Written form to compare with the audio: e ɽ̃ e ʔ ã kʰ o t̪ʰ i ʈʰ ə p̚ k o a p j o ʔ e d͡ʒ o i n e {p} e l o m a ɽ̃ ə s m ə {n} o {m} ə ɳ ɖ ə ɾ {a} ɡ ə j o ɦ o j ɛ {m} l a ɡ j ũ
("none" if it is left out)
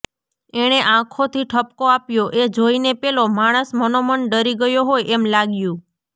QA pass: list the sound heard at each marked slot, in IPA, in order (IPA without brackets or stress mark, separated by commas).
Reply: p, n, m, i, m